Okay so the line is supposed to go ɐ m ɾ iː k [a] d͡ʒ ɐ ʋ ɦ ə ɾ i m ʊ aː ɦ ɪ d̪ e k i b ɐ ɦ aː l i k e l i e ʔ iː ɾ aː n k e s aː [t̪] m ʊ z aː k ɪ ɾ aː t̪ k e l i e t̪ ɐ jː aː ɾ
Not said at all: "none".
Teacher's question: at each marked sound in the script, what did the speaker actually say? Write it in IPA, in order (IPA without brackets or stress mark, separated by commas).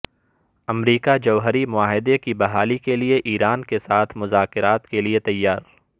a, t̪ʰ